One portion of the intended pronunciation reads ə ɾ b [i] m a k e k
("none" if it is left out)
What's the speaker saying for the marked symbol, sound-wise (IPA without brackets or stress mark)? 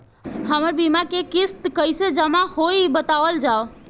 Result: i